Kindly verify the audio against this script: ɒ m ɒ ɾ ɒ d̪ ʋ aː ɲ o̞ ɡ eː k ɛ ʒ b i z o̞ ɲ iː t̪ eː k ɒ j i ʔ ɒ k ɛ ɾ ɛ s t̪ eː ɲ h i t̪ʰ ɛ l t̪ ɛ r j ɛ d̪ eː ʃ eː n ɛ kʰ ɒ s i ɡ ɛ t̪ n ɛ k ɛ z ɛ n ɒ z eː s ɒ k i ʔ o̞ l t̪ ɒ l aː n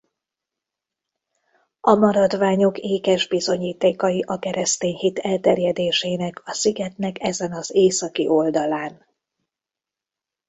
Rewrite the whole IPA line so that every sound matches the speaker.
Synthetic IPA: ɒ m ɒ ɾ ɒ d̪ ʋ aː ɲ o̞ k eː k ɛ ʒ b i z o̞ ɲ iː t̪ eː k ɒ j i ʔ ɒ k ɛ ɾ ɛ s t̪ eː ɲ h i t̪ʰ ɛ l t̪ ɛ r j ɛ d̪ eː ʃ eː n ɛ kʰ ɒ s i ɡ ɛ t̪ n ɛ k ɛ z ɛ n ɒ z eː s ɒ k i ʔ o̞ l d̪ ɒ l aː n

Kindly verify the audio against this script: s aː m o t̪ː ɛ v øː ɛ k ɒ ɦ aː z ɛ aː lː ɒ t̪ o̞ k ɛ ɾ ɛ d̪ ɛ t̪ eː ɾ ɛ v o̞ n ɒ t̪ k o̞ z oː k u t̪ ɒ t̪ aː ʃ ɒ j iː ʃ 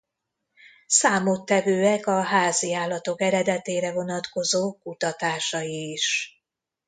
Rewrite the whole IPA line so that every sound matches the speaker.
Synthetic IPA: s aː m o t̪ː ɛ v øː ɛ k ɒ ɦ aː z i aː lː ɒ t̪ o̞ k ɛ ɾ ɛ d̪ ɛ t̪ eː ɾ ɛ v o̞ n ɒ t̪ k o̞ z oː k u t̪ ɒ t̪ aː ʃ ɒ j iː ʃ

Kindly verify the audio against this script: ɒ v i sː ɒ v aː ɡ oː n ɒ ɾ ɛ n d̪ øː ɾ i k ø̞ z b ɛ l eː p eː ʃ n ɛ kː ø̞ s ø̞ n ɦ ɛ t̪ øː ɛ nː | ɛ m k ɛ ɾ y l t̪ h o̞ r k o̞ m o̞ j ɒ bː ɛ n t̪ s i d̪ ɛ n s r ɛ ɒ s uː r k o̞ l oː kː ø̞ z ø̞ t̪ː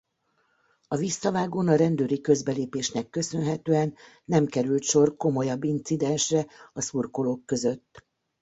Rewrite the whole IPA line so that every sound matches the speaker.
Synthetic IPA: ɒ v i sː ɒ v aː ɡ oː n ɒ ɾ ɛ n d̪ øː ɾ i k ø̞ z b ɛ l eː p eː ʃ n ɛ kː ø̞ s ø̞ n ɦ ɛ t̪ øː ɛ nː | ɛ m k ɛ ɾ y l t̪ ʃ o̞ r k o̞ m o̞ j ɒ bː i n t̪ s i d̪ ɛ n ʃ r ɛ ɒ s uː r k o̞ l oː kː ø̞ z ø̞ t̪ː

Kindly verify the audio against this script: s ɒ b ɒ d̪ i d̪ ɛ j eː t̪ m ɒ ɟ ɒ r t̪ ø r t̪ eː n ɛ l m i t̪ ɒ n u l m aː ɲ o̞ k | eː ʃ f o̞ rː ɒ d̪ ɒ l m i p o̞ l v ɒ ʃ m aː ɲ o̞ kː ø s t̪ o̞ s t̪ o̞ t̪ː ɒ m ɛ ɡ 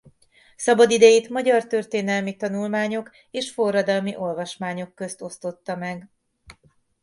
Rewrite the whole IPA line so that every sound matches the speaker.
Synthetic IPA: s ɒ b ɒ d̪ i d̪ ɛ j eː t̪ m ɒ ɟ ɒ r t̪ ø r t̪ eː n ɛ l m i t̪ ɒ n u l m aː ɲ o̞ k | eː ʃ f o̞ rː ɒ d̪ ɒ l m i ʔ o̞ l v ɒ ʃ m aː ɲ o̞ kː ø s t̪ o̞ s t̪ o̞ t̪ː ɒ m ɛ ɡ

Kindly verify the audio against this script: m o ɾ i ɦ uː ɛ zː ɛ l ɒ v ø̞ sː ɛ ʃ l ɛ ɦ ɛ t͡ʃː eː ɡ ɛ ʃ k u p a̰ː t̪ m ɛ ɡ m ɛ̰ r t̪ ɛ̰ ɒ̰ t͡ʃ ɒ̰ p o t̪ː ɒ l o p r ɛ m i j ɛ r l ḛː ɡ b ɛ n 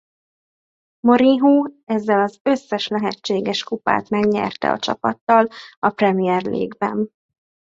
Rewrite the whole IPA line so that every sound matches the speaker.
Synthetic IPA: m o ɾ i ɦ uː ɛ zː ɛ l ɒ z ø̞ sː ɛ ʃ l ɛ ɦ ɛ t͡ʃː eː ɡ ɛ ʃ k u p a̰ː t̪ m ɛ ɡ ɲ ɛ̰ r t̪ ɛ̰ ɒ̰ t͡ʃ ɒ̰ p ɒ t̪ː ɒ l ɒ p r ɛ m i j ɛ r l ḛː ɡ b ɛ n

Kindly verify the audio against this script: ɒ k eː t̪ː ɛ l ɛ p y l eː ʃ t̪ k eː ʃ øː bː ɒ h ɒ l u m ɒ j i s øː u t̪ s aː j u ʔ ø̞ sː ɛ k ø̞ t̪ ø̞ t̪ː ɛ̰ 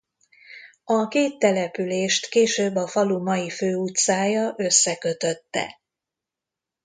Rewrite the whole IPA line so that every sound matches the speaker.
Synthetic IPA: ɒ k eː t̪ː ɛ l ɛ p y l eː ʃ t̪ k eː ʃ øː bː ɒ f ɒ l u m ɒ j i f øː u t̪ s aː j ɒ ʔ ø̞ sː ɛ k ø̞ t̪ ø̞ t̪ː ɛ̰

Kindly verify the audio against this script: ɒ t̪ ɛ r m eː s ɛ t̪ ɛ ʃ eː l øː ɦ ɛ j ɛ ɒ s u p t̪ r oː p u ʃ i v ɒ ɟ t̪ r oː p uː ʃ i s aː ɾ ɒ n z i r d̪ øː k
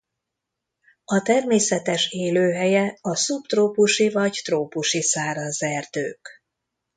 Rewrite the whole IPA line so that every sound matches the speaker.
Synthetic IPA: ɒ t̪ ɛ r m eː s ɛ t̪ ɛ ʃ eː l øː ɦ ɛ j ɛ ɒ s u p t̪ r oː p u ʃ i v ɒ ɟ t̪ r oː p u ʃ i s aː ɾ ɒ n z ɛ r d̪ øː k

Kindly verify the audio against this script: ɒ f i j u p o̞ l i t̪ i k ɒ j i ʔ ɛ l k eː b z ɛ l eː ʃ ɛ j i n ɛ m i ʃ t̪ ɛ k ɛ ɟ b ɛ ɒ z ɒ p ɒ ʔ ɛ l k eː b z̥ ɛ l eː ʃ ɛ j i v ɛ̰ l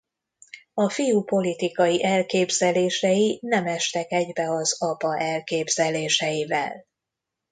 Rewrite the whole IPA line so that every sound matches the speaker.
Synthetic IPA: ɒ f i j u p o̞ l i t̪ i k ɒ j i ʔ ɛ l k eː b z ɛ l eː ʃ ɛ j i n ɛ m ɛ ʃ t̪ ɛ k ɛ ɟ b ɛ ɒ z ɒ p ɒ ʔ ɛ l k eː b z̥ ɛ l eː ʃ ɛ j i v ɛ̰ l

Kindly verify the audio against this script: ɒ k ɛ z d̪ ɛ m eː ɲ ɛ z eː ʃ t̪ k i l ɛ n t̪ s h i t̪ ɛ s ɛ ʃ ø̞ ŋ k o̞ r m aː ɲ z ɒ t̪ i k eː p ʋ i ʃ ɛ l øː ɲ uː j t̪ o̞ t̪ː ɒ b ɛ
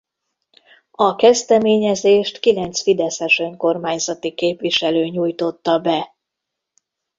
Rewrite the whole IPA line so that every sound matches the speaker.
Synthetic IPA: ɒ k ɛ z d̪ ɛ m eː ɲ ɛ z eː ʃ t̪ k i l ɛ n t̪ s f i d̪ ɛ s ɛ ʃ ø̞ ŋ k o̞ r m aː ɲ z ɒ t̪ i k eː p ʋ i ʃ ɛ l øː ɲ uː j t̪ o̞ t̪ː ɒ b ɛ

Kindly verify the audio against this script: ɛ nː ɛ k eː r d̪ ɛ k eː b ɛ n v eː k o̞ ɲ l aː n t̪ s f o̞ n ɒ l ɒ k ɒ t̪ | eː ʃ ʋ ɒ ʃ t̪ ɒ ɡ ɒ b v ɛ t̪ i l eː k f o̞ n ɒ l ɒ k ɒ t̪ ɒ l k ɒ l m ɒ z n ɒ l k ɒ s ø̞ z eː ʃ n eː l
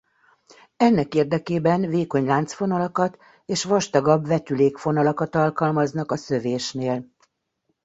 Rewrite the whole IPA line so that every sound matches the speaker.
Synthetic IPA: ɛ nː ɛ k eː r d̪ ɛ k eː b ɛ n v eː k o̞ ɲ l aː n t̪ s f o̞ n ɒ l ɒ k ɒ t̪ | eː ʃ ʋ ɒ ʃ t̪ ɒ ɡ ɒ b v ɛ t̪ y l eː k f o̞ n ɒ l ɒ k ɒ t̪ ɒ l k ɒ l m ɒ z n ɒ k ɒ s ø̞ v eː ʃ n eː l

